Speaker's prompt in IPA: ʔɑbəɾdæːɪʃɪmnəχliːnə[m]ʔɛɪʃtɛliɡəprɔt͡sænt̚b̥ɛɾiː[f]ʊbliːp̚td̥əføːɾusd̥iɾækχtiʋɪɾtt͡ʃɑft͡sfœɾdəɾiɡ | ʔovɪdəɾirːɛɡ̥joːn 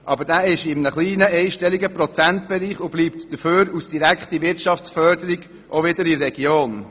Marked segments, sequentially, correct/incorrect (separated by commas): incorrect, incorrect